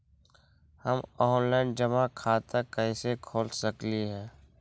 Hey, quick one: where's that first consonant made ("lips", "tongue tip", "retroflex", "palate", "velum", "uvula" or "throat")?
throat